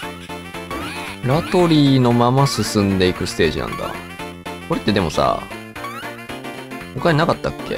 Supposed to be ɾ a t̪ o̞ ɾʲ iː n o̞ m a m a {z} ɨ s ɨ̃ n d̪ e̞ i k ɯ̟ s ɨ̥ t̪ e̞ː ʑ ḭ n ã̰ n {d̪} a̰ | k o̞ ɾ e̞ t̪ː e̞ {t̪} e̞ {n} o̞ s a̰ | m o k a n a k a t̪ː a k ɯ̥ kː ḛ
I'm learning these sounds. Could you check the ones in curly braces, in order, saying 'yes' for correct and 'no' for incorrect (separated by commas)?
no, yes, no, no